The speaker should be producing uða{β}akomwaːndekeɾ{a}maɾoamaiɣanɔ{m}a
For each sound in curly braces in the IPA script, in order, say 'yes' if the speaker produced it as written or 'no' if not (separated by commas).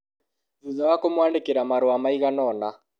no, yes, no